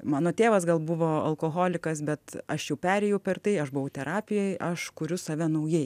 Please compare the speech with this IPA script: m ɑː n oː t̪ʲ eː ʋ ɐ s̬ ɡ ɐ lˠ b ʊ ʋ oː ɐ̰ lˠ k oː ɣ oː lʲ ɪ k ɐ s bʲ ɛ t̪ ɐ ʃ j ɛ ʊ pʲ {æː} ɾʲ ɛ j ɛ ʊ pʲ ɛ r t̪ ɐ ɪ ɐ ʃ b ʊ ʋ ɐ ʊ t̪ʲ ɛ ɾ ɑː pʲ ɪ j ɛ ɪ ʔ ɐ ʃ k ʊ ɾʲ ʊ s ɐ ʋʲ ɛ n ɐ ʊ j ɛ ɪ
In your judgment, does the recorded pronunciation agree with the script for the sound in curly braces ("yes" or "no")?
yes